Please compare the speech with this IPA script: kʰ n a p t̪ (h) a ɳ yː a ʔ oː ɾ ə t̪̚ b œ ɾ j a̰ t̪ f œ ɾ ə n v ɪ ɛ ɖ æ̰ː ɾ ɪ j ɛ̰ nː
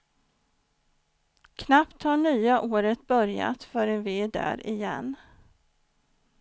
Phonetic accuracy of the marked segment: correct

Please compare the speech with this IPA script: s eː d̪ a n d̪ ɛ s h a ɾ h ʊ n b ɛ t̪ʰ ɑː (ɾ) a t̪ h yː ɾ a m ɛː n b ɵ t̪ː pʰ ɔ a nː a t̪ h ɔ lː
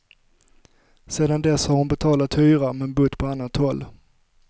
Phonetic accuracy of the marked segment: incorrect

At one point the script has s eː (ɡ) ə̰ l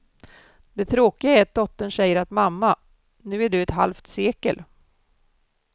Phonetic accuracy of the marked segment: incorrect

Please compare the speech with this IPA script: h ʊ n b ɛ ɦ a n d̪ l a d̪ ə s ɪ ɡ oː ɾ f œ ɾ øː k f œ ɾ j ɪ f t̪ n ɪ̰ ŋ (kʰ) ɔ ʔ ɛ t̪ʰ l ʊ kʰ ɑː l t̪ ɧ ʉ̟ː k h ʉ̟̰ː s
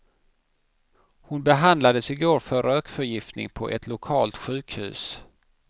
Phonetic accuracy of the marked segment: incorrect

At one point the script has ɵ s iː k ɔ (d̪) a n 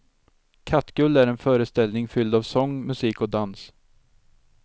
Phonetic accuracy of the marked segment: correct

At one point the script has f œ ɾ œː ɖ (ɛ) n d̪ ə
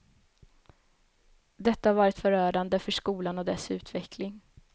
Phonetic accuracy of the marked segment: incorrect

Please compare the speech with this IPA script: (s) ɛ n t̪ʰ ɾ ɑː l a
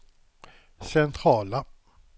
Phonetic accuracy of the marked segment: correct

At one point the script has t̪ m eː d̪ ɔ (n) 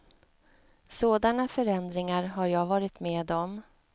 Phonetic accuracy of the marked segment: incorrect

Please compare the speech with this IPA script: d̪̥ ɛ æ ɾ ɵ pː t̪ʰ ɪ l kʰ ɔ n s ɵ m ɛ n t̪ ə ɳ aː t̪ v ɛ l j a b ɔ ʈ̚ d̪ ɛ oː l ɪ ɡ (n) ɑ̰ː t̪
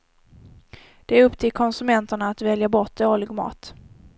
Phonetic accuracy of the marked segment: incorrect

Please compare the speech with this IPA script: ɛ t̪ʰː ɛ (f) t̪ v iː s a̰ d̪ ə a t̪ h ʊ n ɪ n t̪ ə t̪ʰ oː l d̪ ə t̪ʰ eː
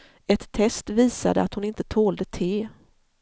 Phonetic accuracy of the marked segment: incorrect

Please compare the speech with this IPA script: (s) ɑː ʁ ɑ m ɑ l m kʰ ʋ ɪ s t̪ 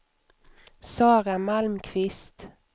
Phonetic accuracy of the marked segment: correct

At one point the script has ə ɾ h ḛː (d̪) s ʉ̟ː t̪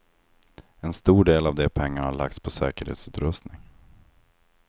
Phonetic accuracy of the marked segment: incorrect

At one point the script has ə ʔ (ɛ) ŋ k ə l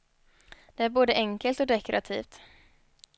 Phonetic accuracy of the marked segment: correct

